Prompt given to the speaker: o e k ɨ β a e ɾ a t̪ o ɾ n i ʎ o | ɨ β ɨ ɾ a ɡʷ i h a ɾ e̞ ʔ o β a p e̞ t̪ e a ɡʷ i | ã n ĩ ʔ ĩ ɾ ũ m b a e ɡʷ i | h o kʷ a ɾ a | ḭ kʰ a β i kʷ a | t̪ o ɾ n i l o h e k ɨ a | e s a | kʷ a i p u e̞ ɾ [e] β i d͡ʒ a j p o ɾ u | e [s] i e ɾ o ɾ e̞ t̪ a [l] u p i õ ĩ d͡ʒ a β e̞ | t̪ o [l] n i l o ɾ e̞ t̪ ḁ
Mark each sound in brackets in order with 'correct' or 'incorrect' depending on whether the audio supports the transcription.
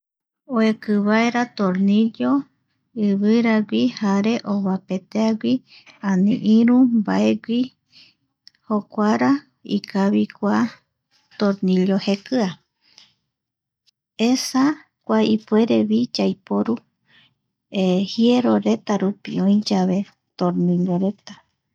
correct, incorrect, incorrect, incorrect

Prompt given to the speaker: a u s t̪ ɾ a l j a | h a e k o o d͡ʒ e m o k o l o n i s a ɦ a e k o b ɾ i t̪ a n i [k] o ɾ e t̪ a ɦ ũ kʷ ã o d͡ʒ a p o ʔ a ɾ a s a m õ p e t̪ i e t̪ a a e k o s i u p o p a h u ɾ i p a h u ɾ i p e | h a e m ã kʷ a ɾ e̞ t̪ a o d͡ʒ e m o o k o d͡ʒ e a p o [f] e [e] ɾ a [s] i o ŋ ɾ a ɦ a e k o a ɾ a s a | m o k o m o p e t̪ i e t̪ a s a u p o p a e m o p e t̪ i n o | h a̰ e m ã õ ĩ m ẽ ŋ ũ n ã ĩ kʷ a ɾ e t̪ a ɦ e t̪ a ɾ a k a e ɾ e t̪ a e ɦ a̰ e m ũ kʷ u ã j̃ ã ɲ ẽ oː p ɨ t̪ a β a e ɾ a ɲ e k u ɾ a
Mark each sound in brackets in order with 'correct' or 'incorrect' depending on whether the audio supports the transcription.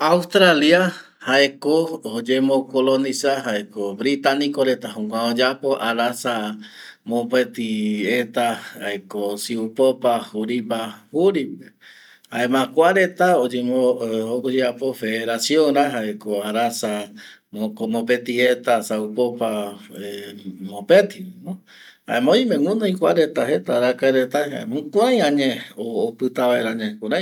correct, correct, correct, correct

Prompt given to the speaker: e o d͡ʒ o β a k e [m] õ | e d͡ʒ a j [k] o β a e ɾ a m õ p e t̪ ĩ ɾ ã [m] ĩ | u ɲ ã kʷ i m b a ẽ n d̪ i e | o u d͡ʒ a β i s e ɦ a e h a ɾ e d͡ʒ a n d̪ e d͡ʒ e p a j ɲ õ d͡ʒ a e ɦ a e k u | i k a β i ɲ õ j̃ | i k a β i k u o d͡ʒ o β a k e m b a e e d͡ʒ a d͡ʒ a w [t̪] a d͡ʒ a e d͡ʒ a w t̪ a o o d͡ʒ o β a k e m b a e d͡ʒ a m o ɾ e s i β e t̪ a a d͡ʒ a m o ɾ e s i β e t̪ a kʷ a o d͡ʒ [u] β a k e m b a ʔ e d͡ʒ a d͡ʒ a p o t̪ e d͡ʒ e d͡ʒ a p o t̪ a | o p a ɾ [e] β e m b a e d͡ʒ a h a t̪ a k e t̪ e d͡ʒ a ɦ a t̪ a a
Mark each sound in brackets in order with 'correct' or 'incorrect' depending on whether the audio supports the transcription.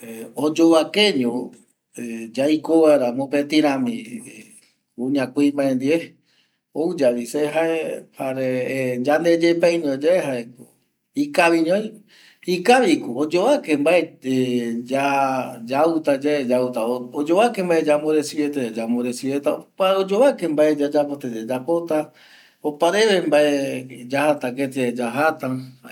incorrect, correct, correct, correct, incorrect, correct

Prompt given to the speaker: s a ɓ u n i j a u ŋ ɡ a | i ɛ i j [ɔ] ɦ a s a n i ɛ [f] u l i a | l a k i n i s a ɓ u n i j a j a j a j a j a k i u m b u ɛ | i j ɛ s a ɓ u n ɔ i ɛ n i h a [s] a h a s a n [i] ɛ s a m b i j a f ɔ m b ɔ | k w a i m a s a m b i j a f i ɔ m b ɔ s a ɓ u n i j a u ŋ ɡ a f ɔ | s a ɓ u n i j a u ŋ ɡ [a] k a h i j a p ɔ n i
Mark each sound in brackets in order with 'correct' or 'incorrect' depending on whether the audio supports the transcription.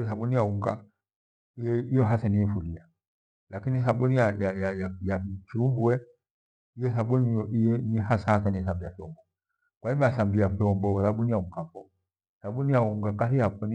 correct, correct, correct, correct, correct

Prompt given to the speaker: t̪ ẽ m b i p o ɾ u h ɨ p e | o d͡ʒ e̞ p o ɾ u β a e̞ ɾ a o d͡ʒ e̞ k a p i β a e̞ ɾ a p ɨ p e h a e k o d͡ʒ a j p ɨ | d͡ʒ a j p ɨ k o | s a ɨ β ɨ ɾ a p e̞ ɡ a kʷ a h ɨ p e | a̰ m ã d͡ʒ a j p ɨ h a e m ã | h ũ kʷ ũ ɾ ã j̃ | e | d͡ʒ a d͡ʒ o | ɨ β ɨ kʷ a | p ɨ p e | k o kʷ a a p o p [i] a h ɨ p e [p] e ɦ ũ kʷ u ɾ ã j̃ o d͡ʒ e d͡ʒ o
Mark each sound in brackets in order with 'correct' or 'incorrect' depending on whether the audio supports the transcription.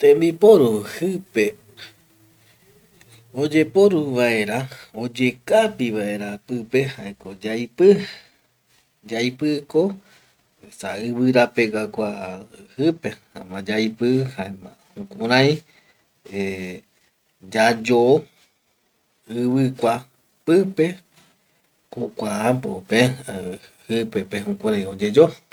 incorrect, correct

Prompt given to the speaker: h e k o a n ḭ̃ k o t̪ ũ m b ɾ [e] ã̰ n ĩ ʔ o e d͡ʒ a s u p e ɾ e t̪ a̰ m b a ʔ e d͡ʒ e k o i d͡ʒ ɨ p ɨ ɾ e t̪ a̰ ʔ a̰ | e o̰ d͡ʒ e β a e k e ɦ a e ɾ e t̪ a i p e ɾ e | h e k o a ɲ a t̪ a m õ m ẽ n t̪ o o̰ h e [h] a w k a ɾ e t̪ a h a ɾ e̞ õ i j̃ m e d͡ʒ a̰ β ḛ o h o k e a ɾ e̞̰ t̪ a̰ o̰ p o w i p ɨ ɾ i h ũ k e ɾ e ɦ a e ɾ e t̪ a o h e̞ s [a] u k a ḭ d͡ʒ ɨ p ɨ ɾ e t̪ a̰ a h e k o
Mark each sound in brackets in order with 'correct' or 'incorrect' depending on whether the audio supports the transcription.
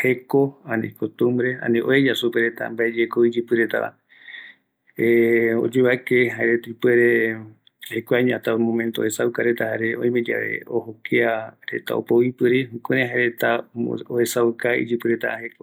correct, incorrect, correct

